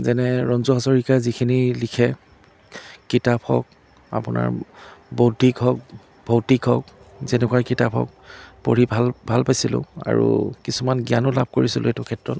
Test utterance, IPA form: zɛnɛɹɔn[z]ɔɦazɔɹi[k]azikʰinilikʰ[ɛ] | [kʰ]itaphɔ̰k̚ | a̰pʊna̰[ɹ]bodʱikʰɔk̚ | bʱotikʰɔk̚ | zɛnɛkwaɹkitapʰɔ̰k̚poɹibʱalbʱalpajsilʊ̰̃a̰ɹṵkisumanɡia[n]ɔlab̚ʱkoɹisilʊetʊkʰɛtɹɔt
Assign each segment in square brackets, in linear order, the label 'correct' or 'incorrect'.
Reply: correct, correct, correct, incorrect, correct, correct

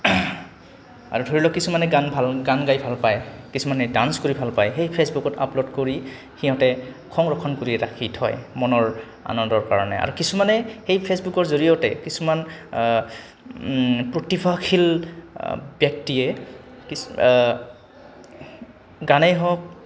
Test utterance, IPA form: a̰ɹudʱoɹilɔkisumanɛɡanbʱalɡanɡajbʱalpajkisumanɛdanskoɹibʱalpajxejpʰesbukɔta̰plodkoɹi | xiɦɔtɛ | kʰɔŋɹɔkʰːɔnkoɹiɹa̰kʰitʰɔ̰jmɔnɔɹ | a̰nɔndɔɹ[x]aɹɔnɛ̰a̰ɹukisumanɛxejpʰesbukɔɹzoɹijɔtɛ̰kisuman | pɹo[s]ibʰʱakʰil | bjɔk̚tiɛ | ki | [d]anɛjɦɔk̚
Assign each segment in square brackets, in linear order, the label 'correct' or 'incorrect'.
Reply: incorrect, incorrect, incorrect

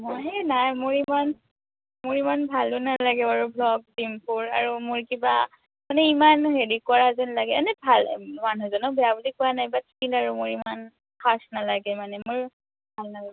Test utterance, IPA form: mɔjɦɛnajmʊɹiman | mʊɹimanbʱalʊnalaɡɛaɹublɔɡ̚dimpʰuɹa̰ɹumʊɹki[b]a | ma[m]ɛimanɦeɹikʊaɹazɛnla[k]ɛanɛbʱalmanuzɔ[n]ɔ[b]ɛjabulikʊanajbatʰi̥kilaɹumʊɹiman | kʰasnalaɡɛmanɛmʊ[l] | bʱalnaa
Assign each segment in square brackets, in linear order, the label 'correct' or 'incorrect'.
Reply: correct, incorrect, incorrect, correct, correct, incorrect

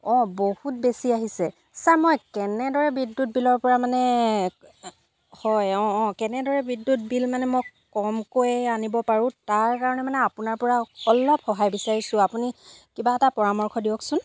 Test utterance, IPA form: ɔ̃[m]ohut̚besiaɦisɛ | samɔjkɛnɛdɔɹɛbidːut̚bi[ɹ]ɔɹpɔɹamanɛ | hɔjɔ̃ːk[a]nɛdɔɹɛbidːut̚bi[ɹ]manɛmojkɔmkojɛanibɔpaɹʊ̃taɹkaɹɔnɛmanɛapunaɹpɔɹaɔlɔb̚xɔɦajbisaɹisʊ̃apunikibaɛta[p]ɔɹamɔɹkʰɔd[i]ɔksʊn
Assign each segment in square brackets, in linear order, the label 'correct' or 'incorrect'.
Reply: incorrect, incorrect, incorrect, incorrect, correct, correct

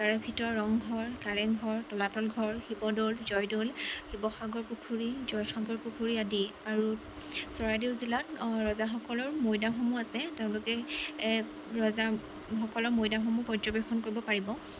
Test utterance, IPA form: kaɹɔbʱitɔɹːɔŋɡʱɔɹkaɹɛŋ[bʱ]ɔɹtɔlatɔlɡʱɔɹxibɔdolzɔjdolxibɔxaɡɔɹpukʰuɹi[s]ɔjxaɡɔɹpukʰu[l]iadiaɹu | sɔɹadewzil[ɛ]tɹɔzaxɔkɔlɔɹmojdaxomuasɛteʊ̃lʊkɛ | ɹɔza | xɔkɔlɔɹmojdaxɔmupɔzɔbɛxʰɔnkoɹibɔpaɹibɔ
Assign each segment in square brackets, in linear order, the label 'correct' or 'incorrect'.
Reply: incorrect, incorrect, incorrect, incorrect

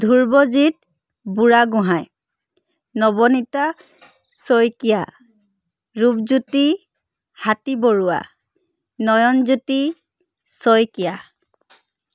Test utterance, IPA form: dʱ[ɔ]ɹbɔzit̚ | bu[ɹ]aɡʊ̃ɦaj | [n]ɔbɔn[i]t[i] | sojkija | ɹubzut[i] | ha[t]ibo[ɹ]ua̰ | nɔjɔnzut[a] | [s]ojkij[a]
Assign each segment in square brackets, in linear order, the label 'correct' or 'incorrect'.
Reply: incorrect, correct, correct, correct, incorrect, correct, correct, correct, incorrect, correct, correct

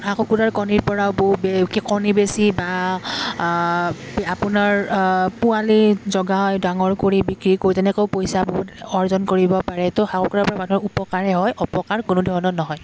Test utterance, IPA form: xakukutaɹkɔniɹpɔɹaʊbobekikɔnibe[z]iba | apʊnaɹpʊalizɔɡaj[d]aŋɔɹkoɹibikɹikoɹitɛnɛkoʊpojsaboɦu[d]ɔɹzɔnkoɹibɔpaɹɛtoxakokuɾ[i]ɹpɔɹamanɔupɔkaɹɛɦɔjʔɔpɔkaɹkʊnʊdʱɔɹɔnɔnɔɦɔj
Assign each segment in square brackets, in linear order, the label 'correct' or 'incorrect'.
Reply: incorrect, correct, incorrect, incorrect

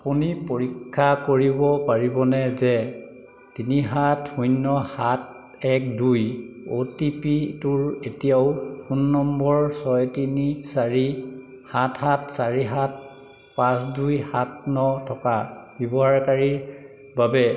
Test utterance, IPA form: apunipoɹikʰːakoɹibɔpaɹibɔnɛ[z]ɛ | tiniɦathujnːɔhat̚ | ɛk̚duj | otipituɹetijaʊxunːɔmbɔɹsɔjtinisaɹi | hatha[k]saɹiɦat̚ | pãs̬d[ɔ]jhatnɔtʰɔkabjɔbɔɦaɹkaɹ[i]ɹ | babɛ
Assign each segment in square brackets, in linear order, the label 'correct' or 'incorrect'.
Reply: correct, incorrect, incorrect, correct

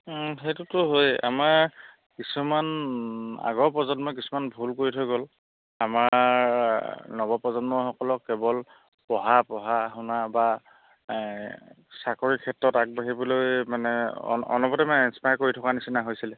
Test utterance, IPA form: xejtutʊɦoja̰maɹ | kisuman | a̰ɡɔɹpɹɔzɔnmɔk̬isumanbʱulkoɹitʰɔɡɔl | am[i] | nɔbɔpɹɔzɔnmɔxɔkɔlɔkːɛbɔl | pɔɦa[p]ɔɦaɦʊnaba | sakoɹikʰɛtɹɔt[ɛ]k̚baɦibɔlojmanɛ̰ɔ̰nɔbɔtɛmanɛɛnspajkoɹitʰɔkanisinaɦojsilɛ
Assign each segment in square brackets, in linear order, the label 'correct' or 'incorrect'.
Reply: incorrect, correct, incorrect

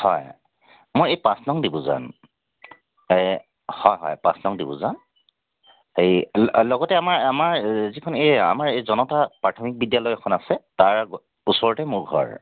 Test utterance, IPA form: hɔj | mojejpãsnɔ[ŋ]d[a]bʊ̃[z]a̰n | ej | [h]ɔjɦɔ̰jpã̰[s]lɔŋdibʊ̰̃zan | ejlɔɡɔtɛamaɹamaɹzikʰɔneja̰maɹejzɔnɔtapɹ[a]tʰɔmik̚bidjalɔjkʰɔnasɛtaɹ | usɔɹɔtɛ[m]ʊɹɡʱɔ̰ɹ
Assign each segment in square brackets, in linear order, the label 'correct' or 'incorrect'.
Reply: correct, incorrect, correct, correct, correct, correct, correct

